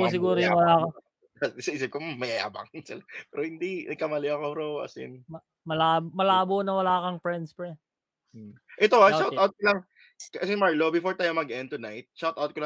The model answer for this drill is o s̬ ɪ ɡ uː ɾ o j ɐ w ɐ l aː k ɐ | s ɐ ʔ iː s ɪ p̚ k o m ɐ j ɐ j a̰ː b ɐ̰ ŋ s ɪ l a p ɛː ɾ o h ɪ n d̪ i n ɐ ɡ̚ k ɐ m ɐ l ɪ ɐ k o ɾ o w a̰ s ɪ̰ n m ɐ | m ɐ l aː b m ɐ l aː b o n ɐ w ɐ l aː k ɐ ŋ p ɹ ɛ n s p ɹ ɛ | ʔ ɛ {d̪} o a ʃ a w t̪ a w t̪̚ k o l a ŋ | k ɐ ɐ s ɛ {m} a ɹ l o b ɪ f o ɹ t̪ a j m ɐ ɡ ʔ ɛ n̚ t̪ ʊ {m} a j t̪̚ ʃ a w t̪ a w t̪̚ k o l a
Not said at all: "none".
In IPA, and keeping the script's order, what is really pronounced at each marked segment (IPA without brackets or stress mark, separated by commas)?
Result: t̪, m, n